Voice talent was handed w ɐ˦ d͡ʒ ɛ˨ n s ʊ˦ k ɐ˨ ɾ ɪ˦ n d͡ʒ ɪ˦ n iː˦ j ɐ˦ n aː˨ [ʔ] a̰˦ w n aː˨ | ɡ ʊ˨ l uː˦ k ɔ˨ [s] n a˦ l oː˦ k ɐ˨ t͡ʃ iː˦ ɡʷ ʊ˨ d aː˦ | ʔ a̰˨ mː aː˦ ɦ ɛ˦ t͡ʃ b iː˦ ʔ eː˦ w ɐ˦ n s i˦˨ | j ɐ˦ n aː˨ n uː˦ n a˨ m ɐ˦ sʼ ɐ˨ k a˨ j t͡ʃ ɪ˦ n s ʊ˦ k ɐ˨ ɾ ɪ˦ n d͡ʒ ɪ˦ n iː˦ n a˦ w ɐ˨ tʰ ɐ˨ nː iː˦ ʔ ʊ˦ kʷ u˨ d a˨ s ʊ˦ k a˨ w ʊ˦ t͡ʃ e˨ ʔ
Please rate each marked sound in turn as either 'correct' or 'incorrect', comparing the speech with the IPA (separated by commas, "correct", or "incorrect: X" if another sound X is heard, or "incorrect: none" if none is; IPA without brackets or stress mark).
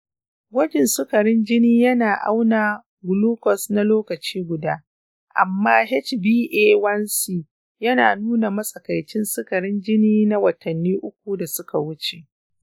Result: correct, correct